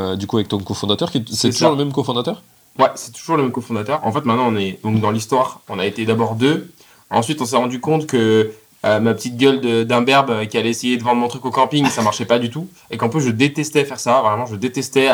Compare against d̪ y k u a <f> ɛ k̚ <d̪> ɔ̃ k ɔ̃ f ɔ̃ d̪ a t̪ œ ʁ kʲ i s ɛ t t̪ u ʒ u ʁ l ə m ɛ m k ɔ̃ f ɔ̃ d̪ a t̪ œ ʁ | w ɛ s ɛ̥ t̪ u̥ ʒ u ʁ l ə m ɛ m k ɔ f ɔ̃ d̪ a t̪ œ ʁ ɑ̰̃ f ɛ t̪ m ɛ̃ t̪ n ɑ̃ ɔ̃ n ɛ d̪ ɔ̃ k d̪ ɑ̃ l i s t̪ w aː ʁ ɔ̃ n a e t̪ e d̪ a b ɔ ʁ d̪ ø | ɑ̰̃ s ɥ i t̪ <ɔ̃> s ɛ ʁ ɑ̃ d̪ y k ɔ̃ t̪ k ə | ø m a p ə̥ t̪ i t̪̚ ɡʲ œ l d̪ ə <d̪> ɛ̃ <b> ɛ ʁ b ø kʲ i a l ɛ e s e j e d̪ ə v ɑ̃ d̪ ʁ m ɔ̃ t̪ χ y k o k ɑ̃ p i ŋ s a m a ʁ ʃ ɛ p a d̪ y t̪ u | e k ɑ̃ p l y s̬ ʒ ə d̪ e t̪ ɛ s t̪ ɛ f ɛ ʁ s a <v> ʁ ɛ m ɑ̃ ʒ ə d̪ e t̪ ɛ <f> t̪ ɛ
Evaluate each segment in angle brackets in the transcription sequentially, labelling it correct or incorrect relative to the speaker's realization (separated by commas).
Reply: incorrect, incorrect, correct, correct, correct, correct, incorrect